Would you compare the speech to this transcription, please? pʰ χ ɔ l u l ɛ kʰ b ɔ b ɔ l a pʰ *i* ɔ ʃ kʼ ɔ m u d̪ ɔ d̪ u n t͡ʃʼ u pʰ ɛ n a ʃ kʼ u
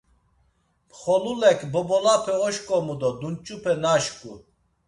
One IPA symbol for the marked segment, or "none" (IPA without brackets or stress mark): ɛ